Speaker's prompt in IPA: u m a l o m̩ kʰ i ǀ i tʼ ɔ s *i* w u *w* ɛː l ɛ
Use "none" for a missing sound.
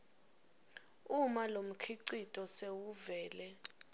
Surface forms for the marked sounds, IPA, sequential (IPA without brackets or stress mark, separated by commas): e, v